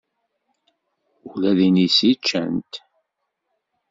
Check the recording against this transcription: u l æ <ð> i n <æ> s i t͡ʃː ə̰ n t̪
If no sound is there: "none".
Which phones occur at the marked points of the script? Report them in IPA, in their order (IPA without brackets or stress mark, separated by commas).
ð, i